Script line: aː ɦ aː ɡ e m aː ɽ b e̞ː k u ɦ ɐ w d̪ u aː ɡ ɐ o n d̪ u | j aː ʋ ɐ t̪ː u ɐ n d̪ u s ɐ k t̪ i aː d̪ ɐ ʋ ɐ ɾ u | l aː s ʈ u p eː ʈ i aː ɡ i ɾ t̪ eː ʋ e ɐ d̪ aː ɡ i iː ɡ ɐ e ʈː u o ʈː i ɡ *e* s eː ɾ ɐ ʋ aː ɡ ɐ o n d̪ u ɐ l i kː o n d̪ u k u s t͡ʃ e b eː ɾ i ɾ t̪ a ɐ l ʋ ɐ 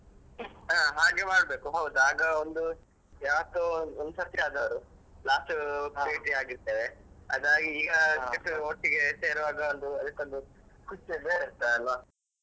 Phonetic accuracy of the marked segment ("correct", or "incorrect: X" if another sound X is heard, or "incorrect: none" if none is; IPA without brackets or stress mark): correct